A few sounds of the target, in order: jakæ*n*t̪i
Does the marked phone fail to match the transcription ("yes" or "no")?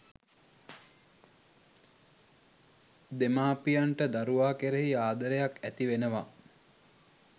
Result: yes